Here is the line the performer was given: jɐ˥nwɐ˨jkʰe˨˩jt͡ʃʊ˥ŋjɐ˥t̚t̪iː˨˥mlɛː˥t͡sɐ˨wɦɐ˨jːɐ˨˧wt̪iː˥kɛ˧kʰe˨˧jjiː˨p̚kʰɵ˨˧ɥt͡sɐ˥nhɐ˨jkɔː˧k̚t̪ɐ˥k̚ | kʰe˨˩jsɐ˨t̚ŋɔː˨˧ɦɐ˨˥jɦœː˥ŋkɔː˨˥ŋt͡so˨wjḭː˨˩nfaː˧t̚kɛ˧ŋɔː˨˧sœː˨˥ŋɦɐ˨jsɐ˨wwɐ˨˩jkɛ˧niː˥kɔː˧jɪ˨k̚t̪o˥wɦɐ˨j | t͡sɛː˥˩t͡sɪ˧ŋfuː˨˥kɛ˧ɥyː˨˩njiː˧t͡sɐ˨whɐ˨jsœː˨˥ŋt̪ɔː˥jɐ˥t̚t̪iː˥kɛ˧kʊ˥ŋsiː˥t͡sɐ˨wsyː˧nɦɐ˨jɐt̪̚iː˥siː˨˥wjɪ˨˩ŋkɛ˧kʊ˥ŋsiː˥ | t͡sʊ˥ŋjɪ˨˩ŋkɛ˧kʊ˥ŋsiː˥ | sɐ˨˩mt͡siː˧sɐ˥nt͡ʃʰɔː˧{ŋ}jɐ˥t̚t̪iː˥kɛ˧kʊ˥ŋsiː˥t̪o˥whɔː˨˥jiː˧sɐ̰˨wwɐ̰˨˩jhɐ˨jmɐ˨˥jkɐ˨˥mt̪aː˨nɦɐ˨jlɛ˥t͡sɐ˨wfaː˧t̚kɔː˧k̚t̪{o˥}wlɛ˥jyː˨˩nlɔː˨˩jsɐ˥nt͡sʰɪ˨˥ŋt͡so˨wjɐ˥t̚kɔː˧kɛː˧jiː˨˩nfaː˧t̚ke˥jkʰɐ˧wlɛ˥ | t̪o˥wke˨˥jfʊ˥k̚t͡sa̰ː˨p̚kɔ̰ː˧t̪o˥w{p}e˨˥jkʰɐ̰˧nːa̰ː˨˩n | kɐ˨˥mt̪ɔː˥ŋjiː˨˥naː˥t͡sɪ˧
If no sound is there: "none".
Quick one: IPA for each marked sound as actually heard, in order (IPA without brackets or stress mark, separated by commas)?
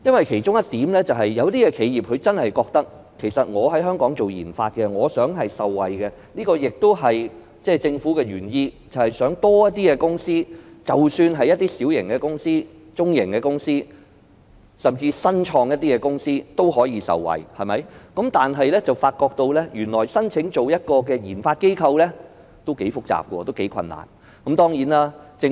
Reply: ŋ, o˧, k